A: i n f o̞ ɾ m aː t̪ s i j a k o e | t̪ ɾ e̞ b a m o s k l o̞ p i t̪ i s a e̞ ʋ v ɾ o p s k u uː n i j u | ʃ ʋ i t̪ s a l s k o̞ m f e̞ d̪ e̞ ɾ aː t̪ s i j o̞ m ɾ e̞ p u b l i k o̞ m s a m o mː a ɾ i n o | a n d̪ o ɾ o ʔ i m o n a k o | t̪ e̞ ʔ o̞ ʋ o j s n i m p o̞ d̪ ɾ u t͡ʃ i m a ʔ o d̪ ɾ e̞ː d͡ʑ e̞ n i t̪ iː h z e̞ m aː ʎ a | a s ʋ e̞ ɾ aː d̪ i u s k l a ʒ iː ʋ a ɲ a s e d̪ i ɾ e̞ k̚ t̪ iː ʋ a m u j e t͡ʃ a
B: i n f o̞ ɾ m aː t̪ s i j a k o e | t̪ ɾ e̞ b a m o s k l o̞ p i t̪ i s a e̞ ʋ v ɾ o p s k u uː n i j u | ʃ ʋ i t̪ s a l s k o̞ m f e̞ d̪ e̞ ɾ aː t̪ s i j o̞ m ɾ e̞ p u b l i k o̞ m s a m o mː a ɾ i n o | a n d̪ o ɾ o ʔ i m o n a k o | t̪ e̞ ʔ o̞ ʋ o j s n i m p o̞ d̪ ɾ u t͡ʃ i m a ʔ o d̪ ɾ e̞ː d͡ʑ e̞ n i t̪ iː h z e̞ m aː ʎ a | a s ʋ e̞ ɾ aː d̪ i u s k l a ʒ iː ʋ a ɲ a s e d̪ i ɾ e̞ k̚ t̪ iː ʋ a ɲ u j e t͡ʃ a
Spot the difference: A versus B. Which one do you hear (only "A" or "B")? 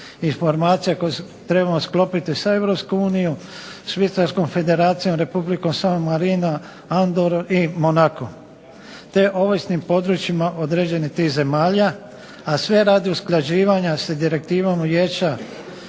A